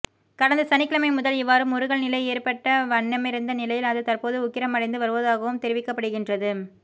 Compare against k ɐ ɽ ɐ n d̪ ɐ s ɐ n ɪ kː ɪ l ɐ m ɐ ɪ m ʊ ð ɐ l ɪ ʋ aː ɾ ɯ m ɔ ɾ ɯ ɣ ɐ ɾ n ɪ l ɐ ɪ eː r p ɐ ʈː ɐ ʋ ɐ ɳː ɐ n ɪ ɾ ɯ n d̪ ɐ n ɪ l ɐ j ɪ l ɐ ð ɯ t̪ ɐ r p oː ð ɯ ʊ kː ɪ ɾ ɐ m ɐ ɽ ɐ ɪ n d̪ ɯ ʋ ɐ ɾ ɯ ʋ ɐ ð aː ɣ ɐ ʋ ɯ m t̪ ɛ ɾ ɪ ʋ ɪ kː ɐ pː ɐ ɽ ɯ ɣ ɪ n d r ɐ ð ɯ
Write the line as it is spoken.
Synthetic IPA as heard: k ɐ ɽ ɐ n d̪ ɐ s ɐ n ɪ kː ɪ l ɐ m ɐ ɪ m ʊ ð ɐ l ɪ ʋː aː ɾ ɯ m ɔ ɾ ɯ ɣ ɐ ɭ n ɪ l ɐ ɪ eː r p ɐ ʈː ɐ ʋ ɐ ɳː ɐ m ɪ ɾ ɯ n d̪ ɐ n ɪ l ɐ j ɪ l ɐ ð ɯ t̪ ɐ r p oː ð ɯ ʊ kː ɪ ɾ ɐ m ɐ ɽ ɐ ɪ n d̪ ɯ ʋ ɐ ɾ ɯ ʋ ɐ ð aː ɣ ɐ ʋ ɯ m t̪ ɛ ɾ ɪ ʋ ɪ kː ɐ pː ɐ ɽ ɯ ɣ ɪ n d r ɐ ð ɯ